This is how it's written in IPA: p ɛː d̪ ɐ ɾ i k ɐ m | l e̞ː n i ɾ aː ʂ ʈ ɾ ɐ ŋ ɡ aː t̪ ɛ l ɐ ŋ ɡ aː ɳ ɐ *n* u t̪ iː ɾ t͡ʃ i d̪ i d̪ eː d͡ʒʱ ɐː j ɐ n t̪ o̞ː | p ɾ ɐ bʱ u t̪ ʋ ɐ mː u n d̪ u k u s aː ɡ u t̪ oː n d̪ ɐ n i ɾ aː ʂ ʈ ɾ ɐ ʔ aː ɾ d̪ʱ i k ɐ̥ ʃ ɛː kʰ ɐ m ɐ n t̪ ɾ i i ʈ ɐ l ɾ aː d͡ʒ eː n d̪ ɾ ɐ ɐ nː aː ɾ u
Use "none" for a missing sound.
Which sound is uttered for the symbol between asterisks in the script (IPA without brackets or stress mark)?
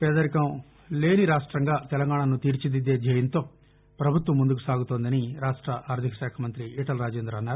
n